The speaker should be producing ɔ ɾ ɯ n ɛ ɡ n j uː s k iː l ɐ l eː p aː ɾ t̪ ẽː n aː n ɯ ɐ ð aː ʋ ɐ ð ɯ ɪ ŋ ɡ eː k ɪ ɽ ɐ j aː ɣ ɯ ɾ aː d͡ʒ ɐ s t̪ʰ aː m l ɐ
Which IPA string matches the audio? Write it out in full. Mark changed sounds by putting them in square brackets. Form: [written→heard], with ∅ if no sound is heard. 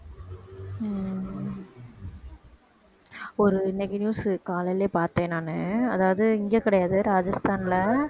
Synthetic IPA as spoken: ɔ ɾ ɯ n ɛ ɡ n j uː s k [iː→aː] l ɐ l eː p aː ɾ t̪ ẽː n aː n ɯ ɐ ð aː ʋ ɐ ð ɯ ɪ ŋ ɡ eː k ɪ ɽ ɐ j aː [ɣ→ð] ɯ ɾ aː d͡ʒ ɐ s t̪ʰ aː [m→n] l ɐ

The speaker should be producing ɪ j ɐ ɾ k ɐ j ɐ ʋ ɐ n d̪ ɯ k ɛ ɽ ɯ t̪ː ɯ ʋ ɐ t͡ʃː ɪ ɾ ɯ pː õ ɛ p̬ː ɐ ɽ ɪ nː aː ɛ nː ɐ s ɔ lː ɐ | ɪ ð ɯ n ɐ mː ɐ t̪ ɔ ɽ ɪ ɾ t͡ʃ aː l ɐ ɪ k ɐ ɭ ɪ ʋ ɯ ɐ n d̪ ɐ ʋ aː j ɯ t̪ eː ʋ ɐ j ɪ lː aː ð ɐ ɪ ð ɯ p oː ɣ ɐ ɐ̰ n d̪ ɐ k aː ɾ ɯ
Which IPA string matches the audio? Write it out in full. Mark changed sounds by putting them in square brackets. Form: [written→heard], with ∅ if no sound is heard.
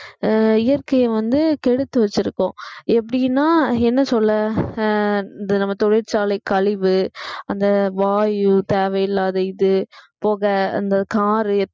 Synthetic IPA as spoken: ɪ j ɐ ɾ k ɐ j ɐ ʋ ɐ n d̪ ɯ k ɛ ɽ ɯ t̪ː ɯ ʋ ɐ t͡ʃː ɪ ɾ ɯ [pː→kː] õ ɛ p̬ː ɐ ɽ ɪ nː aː ɛ nː ɐ s ɔ lː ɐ | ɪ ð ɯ n ɐ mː ɐ t̪ ɔ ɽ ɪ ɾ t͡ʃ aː l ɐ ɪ k ɐ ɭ ɪ ʋ ɯ ɐ n d̪ ɐ ʋ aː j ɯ t̪ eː ʋ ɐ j ɪ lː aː ð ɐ ɪ ð ɯ p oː ɣ ɐ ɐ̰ n d̪ ɐ k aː ɾ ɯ

